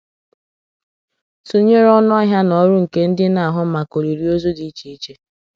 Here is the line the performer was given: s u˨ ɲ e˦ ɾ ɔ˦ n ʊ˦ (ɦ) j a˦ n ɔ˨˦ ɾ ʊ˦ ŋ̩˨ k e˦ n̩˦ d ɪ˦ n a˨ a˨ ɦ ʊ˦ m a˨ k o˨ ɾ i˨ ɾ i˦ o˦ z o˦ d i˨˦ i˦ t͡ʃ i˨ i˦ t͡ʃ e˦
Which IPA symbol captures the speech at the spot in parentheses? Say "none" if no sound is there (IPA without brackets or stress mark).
ɦ